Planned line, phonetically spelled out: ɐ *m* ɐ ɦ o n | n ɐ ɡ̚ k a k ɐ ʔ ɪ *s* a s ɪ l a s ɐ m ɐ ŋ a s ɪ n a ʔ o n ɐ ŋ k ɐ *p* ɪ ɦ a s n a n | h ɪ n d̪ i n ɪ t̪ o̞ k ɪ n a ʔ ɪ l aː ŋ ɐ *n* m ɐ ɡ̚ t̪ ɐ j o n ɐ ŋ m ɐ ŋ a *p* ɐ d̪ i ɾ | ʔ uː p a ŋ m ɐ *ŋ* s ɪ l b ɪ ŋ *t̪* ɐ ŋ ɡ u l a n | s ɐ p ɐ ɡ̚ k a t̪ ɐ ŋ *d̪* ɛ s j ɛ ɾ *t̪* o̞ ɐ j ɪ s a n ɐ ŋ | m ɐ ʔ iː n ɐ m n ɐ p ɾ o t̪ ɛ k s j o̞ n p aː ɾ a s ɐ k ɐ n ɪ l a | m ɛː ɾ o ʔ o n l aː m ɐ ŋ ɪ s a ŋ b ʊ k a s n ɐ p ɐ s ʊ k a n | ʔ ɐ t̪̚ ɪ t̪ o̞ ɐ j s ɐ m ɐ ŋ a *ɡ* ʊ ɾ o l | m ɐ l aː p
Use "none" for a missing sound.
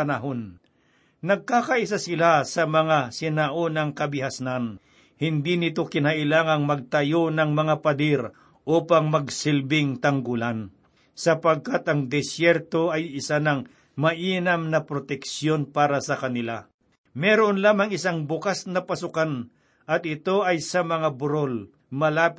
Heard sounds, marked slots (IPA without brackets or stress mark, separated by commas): n, s, b, ŋ, p, ɡ, t̪, d̪, t̪, b